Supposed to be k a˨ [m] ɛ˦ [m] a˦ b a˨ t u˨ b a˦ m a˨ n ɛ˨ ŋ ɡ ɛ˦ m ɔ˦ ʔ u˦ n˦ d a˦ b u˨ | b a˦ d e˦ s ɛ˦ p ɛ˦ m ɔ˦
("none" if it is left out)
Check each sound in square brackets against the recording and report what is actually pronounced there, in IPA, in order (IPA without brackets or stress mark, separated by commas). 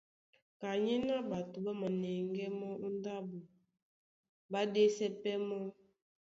ɲ, n